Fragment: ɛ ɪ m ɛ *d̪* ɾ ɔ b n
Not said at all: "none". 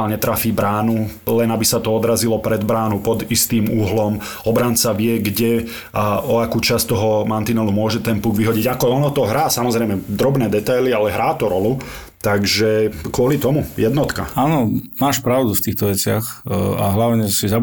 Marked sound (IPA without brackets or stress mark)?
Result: d̪